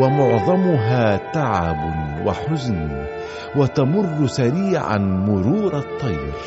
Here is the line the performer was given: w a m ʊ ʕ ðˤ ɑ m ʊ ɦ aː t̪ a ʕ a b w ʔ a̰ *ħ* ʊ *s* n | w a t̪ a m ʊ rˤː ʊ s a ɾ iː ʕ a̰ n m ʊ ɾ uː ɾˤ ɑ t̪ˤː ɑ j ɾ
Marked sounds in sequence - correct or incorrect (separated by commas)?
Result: correct, incorrect